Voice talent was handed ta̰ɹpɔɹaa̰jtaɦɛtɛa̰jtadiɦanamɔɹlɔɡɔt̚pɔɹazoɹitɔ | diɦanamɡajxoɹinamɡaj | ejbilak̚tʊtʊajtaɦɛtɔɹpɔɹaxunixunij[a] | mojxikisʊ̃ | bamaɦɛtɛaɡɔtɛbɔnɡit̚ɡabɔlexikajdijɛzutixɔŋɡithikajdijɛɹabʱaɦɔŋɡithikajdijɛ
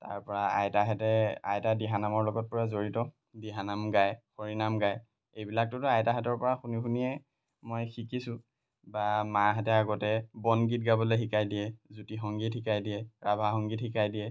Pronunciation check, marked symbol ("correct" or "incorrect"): incorrect